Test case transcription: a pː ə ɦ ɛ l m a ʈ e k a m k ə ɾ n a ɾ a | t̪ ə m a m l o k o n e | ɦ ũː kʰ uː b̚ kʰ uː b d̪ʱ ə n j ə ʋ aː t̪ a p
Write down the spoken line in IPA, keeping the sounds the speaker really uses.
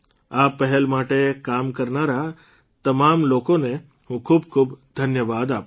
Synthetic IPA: a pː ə ɦ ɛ l m a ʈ e k a m k ə ɾ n a ɾ a | t̪ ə m a m l o k o n e | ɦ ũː kʰ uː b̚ kʰ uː b d̪ʱ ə n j ə ʋ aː d̪ a p